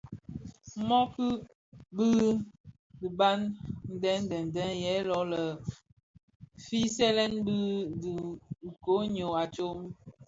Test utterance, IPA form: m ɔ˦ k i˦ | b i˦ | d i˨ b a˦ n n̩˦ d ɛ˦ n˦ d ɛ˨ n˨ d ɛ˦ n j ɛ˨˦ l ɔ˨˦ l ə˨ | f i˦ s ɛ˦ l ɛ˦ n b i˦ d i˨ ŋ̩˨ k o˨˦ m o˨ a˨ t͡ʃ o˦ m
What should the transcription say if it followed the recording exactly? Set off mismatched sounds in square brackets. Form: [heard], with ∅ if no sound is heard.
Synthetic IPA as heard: m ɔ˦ k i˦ | b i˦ | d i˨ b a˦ n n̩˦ d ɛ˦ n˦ d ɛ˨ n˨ d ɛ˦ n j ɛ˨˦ l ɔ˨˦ l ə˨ | f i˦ s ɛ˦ l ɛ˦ n b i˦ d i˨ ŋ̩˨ k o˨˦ [ɲ] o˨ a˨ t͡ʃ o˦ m